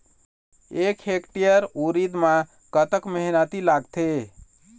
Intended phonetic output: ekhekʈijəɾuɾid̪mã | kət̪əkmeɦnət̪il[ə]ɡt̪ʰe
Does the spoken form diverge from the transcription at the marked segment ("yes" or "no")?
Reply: yes